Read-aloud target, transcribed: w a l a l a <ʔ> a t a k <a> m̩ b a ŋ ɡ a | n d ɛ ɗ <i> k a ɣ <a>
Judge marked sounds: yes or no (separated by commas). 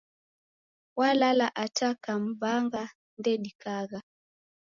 yes, yes, yes, yes